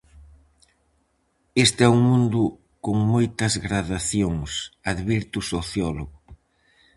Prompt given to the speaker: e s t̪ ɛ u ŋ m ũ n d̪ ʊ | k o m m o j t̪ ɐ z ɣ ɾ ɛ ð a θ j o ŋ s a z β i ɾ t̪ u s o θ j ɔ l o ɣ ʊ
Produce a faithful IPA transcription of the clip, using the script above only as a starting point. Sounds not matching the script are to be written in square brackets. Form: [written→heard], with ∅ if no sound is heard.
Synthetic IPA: e s t̪ ɛ u ŋ m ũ n d̪ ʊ | k o [m→ŋ] m o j t̪ ɐ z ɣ ɾ [ɛ→a] ð a θ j o ŋ s a [z→ð] β i ɾ t̪ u s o θ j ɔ l o ɣ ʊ

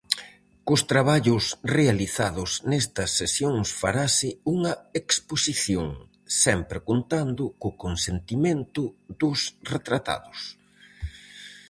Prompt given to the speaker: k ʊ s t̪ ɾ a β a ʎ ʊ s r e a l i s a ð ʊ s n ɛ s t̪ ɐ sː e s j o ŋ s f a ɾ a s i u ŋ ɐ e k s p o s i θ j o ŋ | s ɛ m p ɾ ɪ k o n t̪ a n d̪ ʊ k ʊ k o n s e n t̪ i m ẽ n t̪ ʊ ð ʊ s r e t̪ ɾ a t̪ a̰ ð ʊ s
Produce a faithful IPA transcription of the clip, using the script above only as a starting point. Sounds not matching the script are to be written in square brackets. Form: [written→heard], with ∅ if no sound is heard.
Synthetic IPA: k ʊ s t̪ ɾ a β a ʎ ʊ s r e a l i [s→θ] a ð ʊ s n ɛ s t̪ ɐ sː e s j o ŋ s f a ɾ a s [i→ɪ] u ŋ ɐ e k s p o s i θ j o ŋ | s ɛ m p ɾ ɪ k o n t̪ a n d̪ ʊ k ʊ k o n s e n t̪ i m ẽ n t̪ ʊ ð ʊ s r e t̪ ɾ a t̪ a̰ ð ʊ s

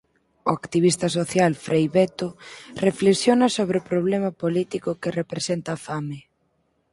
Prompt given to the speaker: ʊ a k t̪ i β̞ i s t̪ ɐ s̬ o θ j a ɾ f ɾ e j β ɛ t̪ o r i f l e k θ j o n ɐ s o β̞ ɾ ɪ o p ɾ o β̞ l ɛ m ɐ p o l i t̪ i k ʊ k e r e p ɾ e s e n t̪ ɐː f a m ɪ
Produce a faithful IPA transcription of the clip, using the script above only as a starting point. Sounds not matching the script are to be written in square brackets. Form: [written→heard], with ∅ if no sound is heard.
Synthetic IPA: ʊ a k t̪ i β̞ i s t̪ ɐ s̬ o θ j a [ɾ→l] f ɾ e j β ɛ t̪ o r [i→e] f l e k [θ→s] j o n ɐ s o β̞ ɾ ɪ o p ɾ o β̞ l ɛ m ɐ p o l i t̪ i k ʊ k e r e p ɾ e s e n t̪ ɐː f a m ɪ

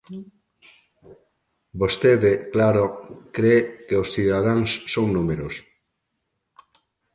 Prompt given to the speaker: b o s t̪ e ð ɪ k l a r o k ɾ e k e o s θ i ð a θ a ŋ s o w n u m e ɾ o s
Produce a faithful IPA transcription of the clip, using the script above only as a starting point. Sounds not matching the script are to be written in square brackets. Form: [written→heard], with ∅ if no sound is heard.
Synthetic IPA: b o s t̪ e ð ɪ k l a [r→ɾ] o k ɾ e k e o s θ i ð a [θ→ð] a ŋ [s→sː] o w n u m e ɾ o s

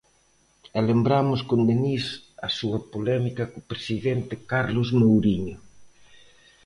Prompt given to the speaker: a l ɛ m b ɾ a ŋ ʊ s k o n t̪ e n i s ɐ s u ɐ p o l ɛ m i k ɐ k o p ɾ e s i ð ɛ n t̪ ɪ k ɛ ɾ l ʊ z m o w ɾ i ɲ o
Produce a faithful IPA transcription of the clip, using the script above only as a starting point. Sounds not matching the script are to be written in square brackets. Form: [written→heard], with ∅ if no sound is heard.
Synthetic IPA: [a→ɛ] l [ɛ→e] m b ɾ a [ŋ→m] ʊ s k o n [t̪→d̪] e n i s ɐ s u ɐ p o l ɛ m i k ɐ k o p ɾ e s i ð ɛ n t̪ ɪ k [ɛ→a] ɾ l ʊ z m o w ɾ i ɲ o

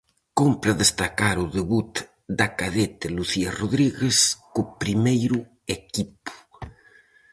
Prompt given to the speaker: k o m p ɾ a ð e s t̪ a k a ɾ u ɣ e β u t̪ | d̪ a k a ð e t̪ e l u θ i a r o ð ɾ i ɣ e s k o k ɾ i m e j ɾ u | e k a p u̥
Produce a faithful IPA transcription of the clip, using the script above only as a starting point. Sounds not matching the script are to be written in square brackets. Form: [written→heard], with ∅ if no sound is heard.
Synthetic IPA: k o m p ɾ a ð e s t̪ a k a ɾ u [ɣ→ð] e β u t̪ | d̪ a k a ð e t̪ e l u θ i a r o ð ɾ i ɣ e s k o [k→p] ɾ i m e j ɾ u | e k [a→i] p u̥

